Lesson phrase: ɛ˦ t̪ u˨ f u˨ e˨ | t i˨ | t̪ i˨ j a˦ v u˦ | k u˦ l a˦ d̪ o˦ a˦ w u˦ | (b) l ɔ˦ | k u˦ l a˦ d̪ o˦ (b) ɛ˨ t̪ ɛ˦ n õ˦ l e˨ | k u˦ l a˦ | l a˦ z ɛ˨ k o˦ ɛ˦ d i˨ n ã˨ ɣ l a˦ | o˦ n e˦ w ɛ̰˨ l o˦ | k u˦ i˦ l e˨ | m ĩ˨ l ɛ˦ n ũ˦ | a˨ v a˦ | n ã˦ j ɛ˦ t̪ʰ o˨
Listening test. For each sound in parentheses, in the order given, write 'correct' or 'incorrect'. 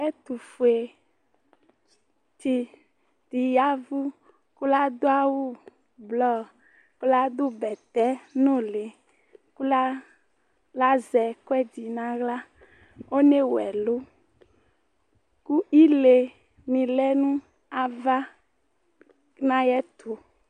correct, correct

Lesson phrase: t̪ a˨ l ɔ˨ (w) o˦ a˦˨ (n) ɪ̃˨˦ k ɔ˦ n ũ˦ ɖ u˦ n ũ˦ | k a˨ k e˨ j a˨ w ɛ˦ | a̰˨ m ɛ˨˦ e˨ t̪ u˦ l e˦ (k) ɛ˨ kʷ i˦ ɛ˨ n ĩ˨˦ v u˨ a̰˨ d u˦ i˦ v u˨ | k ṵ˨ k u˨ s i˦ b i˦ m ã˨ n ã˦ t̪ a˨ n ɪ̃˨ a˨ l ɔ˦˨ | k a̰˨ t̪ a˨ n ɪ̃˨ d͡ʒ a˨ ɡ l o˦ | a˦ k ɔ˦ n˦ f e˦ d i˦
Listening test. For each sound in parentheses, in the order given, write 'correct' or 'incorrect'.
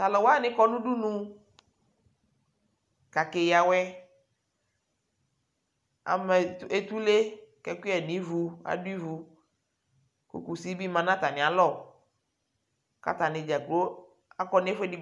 correct, correct, correct

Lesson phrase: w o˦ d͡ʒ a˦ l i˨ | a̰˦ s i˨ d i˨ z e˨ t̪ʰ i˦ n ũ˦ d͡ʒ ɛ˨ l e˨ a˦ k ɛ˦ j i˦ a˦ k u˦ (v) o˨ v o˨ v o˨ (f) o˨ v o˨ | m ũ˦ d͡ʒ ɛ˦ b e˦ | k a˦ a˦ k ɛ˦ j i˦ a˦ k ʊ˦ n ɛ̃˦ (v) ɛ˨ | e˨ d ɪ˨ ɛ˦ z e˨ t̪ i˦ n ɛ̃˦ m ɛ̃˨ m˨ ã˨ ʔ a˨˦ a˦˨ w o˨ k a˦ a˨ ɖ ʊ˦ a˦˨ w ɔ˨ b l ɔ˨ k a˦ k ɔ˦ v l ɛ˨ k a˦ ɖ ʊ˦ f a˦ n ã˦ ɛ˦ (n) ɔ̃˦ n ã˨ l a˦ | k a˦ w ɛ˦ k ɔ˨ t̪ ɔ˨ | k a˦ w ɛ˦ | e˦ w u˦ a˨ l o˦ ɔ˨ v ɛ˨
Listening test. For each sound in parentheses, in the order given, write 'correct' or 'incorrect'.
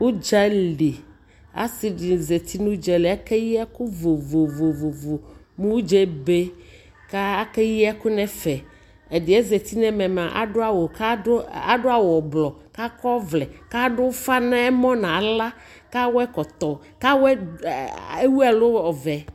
correct, incorrect, incorrect, incorrect

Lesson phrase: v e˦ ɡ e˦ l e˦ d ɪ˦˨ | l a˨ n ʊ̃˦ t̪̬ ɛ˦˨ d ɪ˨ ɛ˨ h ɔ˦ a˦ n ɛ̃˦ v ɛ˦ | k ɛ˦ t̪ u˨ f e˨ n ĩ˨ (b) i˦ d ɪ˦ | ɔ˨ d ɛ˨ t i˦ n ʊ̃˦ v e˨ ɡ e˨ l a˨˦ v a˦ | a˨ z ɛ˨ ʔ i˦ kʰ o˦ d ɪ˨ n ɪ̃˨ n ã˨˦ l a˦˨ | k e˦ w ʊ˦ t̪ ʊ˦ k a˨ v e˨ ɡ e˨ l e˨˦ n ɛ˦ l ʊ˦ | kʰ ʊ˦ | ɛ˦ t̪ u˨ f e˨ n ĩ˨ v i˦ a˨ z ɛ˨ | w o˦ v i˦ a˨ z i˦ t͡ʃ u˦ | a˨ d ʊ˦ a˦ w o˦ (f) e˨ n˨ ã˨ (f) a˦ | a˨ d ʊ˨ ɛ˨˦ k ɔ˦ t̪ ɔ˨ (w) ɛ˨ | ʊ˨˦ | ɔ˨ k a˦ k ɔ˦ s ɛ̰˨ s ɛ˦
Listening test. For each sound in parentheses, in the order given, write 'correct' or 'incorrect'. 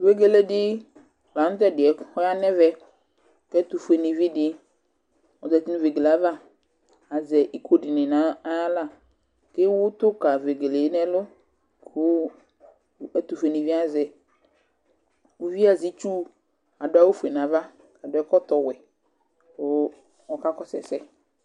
incorrect, correct, incorrect, correct

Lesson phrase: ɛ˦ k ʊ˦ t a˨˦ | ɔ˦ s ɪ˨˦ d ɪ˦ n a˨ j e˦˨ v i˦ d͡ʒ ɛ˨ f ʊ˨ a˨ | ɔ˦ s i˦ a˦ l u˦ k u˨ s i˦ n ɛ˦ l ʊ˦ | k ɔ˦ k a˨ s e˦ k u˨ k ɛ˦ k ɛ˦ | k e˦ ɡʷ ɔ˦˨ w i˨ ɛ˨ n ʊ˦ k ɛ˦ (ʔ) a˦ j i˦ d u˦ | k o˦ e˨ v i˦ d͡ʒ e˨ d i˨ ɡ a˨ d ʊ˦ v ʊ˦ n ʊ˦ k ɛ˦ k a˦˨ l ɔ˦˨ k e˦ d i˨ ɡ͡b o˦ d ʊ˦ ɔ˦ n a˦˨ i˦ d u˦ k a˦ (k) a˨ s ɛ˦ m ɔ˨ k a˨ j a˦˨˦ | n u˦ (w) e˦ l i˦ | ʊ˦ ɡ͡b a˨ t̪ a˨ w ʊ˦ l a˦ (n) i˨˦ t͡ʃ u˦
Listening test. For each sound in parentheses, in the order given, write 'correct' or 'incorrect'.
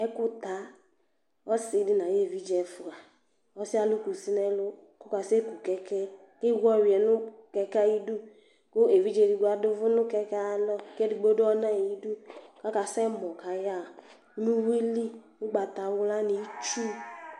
incorrect, correct, correct, correct

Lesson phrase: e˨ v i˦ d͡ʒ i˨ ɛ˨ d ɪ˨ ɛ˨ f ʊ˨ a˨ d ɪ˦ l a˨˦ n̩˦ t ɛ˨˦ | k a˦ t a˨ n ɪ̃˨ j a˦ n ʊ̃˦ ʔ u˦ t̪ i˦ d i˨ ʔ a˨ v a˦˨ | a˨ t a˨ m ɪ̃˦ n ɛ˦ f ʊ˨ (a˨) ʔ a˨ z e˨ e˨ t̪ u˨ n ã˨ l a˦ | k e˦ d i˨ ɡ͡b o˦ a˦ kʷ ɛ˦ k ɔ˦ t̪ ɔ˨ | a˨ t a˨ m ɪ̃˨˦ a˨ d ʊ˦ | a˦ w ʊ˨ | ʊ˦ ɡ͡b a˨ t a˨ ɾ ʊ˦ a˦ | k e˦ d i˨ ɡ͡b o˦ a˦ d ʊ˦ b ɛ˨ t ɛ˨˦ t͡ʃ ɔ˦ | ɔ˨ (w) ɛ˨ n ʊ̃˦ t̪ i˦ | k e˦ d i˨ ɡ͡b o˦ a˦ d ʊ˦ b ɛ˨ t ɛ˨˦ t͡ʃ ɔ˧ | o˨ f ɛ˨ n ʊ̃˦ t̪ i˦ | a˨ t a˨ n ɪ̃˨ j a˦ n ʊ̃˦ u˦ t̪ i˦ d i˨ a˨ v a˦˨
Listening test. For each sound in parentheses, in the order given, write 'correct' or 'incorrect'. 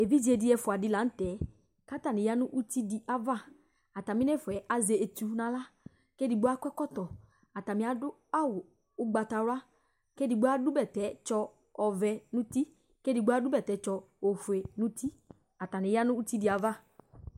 incorrect, incorrect

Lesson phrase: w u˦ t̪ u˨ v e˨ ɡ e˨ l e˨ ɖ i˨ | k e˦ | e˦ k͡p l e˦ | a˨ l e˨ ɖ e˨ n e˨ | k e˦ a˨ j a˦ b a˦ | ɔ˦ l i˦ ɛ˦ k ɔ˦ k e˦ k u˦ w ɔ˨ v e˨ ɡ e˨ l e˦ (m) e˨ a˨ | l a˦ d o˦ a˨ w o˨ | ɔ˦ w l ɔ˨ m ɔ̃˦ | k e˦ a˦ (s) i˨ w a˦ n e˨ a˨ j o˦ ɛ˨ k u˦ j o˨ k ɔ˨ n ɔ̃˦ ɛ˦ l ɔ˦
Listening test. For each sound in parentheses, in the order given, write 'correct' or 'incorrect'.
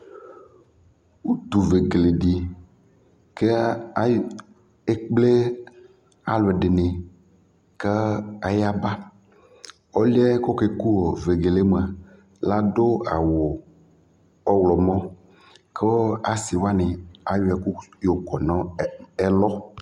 correct, correct

